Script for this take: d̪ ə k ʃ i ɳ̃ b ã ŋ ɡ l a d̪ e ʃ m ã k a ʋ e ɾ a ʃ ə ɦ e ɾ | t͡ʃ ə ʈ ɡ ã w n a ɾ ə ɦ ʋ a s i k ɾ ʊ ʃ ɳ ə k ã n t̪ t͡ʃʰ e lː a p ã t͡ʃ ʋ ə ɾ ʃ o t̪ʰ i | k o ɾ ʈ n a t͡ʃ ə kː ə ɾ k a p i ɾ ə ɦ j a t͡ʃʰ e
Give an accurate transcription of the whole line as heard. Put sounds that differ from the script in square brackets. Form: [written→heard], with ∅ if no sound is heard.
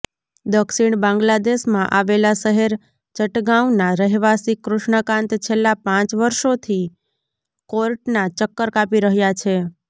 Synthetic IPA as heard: d̪ ə k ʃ i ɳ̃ b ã ŋ ɡ l a d̪ e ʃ m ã [k→ʔ] a ʋ e [ɾ→l] a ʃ ə ɦ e ɾ | t͡ʃ ə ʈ ɡ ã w n a ɾ ə ɦ ʋ a s i k ɾ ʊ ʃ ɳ ə k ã n t̪ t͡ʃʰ e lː a p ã t͡ʃ ʋ ə ɾ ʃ o t̪ʰ i | k o ɾ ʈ n a t͡ʃ ə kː ə ɾ k a p i ɾ ə ɦ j a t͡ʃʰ e